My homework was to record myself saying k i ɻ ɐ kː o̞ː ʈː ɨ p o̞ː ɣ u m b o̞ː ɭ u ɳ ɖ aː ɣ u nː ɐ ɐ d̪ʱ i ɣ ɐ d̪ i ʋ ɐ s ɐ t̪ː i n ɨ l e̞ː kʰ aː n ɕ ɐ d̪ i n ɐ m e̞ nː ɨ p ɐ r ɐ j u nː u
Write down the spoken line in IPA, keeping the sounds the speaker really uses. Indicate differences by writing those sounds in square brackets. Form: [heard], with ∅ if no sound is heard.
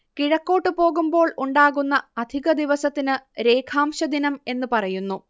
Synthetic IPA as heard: k i ɻ ɐ kː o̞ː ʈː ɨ p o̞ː ɣ u m b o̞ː ɭ u ɳ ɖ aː ɣ u nː ɐ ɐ d̪ʱ i ɣ ɐ d̪ i ʋ ɐ s ɐ t̪ː i n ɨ [ɾ] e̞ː kʰ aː [m] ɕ ɐ d̪ i n ɐ m e̞ nː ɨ p ɐ r ɐ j u nː u